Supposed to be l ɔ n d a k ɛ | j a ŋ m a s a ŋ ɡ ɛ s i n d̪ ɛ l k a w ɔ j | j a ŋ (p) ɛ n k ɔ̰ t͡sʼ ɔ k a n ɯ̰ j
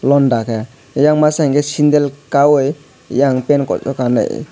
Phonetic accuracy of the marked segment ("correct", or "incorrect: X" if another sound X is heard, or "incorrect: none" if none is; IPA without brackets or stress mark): correct